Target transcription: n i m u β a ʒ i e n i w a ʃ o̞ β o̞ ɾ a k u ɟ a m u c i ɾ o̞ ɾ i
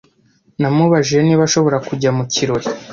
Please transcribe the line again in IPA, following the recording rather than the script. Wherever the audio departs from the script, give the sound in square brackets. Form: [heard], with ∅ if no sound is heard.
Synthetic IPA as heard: n [a] m u β a ʒ i e n i [β] a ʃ o̞ β o̞ ɾ a k u ɟ a m u c i ɾ o̞ ɾ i